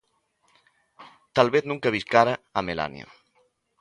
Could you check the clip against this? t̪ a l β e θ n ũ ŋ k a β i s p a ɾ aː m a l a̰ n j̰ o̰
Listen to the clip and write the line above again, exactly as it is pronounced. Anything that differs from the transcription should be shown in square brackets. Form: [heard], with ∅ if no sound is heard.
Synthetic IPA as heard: t̪ a l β e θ n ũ ŋ k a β i s [k] a ɾ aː m [e] l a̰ n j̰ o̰